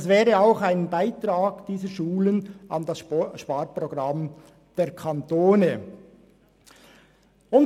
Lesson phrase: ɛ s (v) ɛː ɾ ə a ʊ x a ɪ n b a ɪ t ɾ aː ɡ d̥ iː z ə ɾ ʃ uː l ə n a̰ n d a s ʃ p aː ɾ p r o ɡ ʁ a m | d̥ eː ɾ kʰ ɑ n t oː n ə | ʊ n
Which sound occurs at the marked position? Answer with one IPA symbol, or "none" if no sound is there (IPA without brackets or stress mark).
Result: v